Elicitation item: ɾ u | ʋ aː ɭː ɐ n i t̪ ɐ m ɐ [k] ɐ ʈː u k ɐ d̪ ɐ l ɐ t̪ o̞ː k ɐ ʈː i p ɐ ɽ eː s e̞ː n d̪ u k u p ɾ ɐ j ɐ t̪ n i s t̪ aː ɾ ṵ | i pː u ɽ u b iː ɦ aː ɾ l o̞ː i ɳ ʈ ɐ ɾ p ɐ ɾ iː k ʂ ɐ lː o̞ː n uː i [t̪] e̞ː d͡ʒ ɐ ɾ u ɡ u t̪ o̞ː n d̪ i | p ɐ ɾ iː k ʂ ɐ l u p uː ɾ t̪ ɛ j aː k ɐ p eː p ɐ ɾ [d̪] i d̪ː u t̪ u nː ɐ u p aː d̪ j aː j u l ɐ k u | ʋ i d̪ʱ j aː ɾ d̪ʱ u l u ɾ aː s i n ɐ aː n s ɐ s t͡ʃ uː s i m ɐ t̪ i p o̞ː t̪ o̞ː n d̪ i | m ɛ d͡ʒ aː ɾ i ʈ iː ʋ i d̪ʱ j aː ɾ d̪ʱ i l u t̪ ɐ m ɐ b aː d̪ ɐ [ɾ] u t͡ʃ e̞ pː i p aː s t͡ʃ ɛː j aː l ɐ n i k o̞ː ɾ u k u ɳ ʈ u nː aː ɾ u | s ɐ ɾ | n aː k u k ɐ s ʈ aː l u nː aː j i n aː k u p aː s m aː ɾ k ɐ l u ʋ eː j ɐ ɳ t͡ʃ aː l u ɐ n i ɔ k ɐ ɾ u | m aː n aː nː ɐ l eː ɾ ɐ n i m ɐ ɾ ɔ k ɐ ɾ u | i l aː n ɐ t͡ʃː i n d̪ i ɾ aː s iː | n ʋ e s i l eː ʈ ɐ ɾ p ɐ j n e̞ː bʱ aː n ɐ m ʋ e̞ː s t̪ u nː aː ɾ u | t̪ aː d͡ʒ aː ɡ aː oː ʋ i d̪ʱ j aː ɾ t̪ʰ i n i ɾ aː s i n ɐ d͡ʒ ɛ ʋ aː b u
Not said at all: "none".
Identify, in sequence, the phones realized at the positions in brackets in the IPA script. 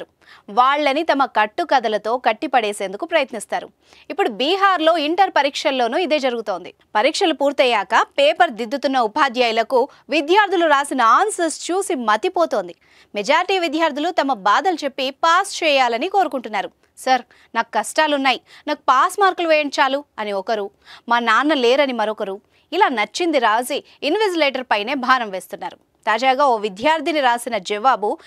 k, d̪, d̪, l

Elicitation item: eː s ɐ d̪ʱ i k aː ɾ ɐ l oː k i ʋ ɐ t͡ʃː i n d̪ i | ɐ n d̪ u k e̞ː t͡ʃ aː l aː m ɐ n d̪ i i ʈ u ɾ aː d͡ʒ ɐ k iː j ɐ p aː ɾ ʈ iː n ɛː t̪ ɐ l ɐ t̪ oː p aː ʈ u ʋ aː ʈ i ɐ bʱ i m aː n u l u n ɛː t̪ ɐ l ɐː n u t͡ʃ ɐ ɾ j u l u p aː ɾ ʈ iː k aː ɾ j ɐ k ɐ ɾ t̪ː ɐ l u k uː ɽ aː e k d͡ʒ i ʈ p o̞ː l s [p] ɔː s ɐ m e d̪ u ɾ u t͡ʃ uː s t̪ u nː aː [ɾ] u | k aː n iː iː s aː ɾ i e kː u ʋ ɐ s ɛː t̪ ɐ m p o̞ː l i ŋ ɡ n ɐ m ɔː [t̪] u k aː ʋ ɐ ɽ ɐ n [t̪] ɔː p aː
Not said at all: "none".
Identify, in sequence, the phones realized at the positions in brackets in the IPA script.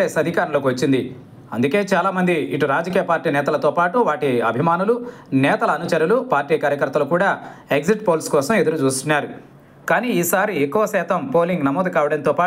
k, ɾ, d̪, t̪

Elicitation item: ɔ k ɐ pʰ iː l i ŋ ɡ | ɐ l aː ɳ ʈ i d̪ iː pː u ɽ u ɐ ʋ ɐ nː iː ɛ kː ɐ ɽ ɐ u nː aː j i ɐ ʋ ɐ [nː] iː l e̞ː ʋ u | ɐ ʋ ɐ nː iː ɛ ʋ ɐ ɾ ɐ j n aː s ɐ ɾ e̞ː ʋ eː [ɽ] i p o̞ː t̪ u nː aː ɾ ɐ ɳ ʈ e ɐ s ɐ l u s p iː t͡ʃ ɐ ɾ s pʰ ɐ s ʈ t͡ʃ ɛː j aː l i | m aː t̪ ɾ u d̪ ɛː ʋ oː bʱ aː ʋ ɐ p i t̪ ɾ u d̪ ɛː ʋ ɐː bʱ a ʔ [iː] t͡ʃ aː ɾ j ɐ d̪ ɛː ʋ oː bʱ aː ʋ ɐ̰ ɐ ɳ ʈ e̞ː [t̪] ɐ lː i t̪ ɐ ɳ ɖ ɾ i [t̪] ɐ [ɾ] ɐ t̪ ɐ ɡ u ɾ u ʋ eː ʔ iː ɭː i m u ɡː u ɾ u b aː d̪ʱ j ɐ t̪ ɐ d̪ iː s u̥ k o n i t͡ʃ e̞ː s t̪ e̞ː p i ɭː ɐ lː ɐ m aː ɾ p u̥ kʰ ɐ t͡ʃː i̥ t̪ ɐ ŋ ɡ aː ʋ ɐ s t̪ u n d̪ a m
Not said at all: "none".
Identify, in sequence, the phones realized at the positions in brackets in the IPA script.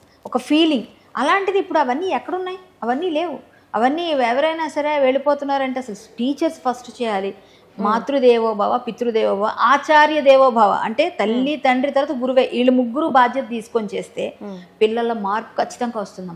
nː, ɭ, aː, t̪, t̪, ɾ

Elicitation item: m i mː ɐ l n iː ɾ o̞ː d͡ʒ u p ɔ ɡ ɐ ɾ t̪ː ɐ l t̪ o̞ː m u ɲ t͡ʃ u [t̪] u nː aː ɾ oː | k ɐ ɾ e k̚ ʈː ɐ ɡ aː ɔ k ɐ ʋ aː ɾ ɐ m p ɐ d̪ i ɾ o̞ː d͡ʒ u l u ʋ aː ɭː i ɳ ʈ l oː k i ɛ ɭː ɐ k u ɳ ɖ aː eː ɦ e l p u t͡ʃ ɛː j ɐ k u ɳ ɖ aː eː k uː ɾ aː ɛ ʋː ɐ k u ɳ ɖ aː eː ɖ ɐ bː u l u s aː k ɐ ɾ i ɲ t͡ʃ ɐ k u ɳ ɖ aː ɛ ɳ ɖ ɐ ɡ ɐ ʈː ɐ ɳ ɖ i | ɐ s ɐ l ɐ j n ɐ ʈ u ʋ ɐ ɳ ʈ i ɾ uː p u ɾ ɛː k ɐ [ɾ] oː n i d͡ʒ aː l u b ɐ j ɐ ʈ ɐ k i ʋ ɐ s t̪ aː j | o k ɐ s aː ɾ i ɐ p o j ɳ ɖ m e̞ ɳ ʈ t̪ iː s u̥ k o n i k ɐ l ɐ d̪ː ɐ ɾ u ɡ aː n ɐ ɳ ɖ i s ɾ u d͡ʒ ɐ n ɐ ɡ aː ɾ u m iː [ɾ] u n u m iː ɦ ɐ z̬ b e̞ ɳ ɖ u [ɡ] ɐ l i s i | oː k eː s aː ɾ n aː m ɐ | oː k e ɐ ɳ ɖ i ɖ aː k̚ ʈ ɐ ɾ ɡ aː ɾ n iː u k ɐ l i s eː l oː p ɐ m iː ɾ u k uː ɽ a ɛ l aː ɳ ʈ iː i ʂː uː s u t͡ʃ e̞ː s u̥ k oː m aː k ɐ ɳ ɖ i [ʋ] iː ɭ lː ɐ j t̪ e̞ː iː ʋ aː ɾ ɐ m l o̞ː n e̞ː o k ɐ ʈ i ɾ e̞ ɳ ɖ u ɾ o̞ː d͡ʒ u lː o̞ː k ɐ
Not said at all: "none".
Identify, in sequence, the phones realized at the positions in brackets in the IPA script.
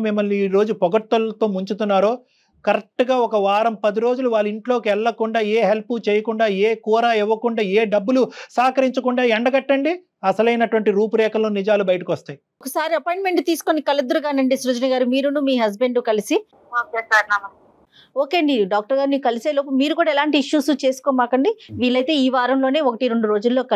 t̪, l, ɾ, k, ʋ

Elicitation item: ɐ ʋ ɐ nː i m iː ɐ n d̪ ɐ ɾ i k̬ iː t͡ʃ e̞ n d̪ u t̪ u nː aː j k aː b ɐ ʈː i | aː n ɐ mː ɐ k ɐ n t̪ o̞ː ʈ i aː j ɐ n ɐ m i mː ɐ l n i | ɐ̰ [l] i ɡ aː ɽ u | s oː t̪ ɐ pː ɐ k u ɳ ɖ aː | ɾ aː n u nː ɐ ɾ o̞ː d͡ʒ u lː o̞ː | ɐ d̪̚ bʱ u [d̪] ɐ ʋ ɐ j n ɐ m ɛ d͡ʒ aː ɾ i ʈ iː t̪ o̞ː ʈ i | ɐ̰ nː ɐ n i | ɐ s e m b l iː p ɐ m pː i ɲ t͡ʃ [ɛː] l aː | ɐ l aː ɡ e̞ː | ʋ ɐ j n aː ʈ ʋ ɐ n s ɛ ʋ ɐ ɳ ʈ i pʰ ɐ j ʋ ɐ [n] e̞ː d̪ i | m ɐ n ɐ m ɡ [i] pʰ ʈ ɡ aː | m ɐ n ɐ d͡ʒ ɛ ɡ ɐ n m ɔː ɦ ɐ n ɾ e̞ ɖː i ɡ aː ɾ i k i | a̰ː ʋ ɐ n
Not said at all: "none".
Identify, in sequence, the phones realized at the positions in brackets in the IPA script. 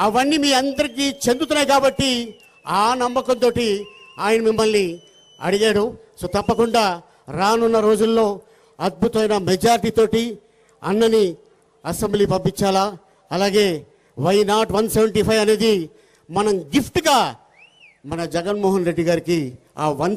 ɽ, t̪, aː, n, i

